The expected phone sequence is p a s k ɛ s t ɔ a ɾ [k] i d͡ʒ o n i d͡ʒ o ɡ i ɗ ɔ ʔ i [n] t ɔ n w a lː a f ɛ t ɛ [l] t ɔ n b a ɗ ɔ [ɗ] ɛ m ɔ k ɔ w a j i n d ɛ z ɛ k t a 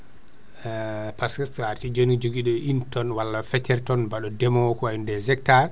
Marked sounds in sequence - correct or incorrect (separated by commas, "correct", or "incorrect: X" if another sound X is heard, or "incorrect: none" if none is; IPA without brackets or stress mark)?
incorrect: t, correct, incorrect: ɾ, incorrect: d